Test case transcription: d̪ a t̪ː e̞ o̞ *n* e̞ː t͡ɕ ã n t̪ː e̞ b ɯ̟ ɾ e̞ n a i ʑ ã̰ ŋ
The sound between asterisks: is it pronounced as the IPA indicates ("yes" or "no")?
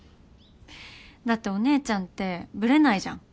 yes